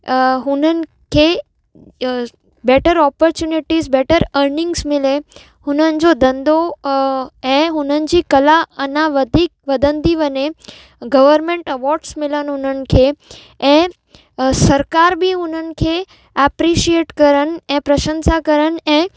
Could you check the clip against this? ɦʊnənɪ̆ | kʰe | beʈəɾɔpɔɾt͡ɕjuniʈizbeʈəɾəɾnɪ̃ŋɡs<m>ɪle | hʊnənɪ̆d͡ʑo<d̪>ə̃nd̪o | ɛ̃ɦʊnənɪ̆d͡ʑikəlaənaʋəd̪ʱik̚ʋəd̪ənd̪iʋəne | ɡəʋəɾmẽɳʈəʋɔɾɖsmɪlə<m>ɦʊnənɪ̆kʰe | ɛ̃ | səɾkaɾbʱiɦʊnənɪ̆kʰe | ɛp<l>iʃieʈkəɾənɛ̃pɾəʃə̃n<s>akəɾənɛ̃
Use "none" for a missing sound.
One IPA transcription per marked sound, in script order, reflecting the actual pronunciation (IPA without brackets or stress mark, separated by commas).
m, d̪, n, ɾ, s